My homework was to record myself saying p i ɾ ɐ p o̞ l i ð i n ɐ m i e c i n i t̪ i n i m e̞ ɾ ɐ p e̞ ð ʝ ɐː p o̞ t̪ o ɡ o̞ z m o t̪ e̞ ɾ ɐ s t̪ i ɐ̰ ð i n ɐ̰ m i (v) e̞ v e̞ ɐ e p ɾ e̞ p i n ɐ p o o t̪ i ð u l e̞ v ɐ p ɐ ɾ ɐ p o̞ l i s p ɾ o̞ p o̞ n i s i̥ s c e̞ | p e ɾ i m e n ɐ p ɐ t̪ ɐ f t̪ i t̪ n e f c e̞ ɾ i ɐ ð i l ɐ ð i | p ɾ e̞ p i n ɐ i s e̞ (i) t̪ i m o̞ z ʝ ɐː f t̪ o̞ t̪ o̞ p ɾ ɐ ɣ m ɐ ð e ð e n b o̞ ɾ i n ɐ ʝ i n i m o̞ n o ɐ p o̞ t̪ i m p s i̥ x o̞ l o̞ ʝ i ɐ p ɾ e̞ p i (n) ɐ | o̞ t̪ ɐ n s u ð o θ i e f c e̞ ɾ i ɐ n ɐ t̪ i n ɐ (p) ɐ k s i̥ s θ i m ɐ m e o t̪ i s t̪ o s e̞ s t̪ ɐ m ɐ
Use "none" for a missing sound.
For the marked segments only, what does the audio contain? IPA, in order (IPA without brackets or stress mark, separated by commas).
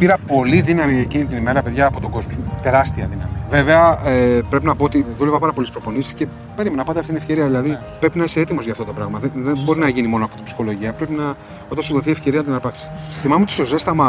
v, e, n, p